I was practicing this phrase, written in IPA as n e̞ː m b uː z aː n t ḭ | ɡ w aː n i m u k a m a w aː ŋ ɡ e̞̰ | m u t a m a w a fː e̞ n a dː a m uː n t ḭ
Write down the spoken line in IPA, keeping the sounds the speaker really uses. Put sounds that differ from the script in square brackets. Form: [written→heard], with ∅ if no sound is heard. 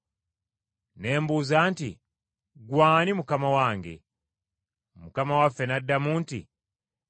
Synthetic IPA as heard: n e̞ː m b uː z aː n t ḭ | ɡ w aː n i m u k a m a w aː ŋ ɡ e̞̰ | m u [t→k] a m a w a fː e̞ n a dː a m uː n t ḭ